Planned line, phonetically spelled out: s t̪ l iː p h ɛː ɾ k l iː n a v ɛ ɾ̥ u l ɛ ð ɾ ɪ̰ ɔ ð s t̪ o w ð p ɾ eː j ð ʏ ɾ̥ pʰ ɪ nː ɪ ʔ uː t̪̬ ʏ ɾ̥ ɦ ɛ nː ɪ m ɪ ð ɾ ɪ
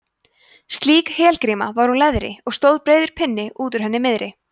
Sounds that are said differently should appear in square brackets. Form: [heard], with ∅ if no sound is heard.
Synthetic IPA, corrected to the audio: s t̪ l iː [k] h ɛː [l] k [ɾ] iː [m] a v [a] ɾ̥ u l ɛ ð ɾ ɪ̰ ɔ [ɣ] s t̪ o w ð p ɾ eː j ð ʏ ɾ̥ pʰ ɪ nː ɪ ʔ uː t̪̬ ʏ ɾ̥ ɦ ɛ nː ɪ m ɪ ð ɾ ɪ

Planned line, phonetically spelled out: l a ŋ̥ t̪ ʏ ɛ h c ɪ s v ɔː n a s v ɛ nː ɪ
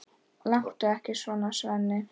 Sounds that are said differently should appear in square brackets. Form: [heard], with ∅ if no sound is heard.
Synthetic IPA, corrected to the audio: l a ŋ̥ t̪ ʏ ɛ h c ɪ s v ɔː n a s v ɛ nː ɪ

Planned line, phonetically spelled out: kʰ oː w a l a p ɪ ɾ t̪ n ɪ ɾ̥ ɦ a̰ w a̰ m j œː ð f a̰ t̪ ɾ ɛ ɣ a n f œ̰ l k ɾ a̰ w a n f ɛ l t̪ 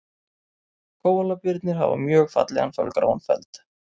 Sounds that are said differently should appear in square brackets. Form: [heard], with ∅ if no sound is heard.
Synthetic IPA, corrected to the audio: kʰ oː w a l a p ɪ ɾ t̪ n ɪ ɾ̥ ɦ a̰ [v] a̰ m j œː [ɣ] f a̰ t̪ [l] ɛ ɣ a n f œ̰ l k ɾ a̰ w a n f ɛ l t̪

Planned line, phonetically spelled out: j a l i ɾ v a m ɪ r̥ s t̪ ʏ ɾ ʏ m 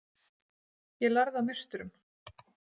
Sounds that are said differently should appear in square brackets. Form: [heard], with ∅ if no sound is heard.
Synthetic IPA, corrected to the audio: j [ɛ] l [a] ɾ [ð] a m ɪ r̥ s t̪ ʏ ɾ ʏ m

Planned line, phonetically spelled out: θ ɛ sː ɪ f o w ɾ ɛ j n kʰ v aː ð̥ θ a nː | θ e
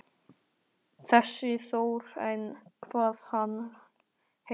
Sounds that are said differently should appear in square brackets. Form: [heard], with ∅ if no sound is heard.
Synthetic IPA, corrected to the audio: θ ɛ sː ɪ [θ] o w ɾ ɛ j n kʰ v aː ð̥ [h] a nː | [h] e

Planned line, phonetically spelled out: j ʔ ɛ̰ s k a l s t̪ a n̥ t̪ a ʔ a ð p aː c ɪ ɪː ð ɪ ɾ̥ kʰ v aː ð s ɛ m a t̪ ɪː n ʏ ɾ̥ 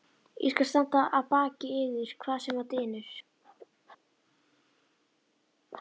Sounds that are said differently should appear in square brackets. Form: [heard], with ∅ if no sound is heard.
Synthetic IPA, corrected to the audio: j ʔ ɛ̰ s k a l s t̪ a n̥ t̪ a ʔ a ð p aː c ɪ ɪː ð ɪ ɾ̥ kʰ v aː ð s ɛ m a t̪ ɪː n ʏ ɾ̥

